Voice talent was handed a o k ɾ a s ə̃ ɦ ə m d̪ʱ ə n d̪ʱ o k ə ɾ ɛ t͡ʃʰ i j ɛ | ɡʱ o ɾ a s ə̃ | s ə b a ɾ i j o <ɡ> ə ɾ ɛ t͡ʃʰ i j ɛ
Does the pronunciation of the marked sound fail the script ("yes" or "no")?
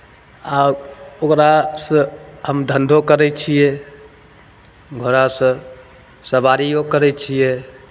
yes